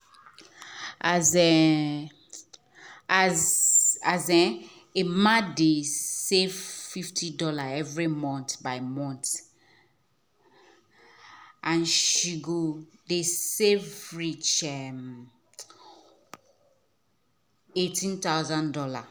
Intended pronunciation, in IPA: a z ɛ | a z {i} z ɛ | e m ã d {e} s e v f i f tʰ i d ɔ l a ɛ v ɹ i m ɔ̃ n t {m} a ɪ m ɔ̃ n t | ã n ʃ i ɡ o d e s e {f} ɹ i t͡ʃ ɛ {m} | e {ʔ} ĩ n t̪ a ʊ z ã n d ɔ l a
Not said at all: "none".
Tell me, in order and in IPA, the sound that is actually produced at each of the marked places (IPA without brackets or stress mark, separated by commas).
a, e, b, v, m, t